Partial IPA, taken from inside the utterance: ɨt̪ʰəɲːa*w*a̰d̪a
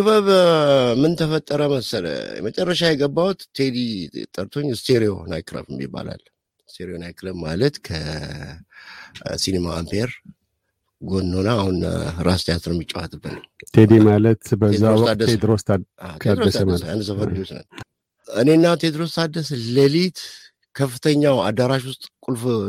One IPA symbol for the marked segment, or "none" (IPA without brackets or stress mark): w